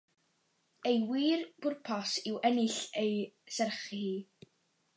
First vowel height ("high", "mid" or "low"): mid